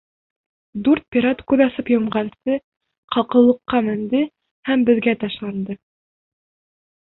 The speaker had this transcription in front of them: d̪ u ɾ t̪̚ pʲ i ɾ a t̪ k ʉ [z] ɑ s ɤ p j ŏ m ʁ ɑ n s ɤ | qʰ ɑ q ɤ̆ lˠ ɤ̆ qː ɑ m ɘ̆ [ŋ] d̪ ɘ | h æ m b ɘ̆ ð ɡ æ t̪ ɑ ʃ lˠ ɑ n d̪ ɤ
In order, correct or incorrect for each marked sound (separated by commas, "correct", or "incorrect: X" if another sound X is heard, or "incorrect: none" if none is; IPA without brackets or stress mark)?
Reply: incorrect: ð, incorrect: n